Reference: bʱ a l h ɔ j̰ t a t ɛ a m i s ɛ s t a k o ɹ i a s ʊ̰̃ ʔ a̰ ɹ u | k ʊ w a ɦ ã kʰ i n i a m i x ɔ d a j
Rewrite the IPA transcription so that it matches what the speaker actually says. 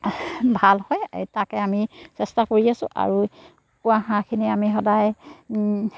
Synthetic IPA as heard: bʱ a l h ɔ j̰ t a k ɛ a m i s ɛ s t a k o ɹ i a s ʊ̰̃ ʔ a̰ ɹ u | k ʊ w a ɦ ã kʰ i n i a m i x ɔ d a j